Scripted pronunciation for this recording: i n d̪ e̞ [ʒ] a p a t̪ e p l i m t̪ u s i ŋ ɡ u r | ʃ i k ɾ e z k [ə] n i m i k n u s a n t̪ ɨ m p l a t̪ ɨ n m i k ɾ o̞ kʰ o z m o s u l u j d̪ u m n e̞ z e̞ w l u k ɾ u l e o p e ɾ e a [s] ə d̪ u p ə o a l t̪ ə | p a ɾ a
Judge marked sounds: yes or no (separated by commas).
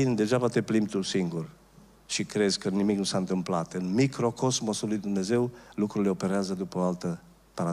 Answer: yes, yes, no